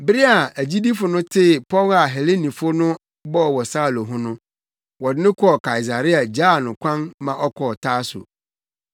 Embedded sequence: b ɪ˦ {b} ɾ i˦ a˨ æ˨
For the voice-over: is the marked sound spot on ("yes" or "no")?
no